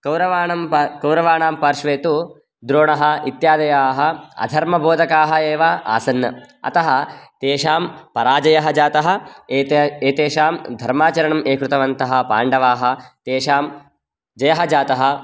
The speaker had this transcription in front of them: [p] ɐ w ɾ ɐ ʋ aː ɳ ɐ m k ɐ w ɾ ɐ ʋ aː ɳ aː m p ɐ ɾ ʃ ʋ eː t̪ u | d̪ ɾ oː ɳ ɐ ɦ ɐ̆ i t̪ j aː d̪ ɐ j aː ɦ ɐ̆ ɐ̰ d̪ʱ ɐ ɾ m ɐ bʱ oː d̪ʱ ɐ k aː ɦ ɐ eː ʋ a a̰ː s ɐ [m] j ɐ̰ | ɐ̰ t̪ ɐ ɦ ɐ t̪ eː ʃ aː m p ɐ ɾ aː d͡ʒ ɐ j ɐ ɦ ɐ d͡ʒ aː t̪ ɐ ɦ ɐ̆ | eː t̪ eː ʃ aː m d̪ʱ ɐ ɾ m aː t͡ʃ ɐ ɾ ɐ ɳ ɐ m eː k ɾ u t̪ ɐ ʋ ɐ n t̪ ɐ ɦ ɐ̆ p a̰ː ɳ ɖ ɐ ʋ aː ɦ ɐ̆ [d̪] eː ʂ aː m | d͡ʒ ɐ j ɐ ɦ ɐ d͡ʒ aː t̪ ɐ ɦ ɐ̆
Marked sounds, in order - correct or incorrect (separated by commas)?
incorrect, incorrect, incorrect